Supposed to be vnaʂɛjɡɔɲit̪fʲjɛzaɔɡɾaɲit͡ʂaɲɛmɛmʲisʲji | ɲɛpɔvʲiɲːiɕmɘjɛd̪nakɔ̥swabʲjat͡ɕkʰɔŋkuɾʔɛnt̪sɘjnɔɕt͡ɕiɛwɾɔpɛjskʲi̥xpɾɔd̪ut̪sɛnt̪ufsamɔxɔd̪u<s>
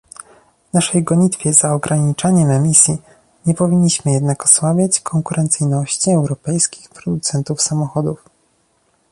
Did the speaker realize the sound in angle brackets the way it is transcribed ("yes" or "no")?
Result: no